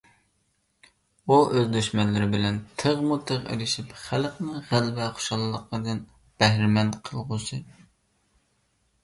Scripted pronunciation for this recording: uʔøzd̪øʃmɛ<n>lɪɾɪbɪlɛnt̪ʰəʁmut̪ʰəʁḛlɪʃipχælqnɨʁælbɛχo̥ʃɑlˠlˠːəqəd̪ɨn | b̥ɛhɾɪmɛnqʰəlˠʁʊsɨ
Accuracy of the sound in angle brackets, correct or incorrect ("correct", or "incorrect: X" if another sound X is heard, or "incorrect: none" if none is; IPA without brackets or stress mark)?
correct